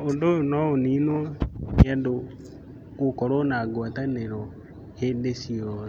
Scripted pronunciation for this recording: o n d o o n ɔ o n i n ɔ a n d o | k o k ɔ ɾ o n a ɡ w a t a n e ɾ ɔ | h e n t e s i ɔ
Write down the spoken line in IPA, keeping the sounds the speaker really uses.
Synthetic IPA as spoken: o n d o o n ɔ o n i n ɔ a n d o | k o k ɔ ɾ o n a ɡ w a t a n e ɾ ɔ | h e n d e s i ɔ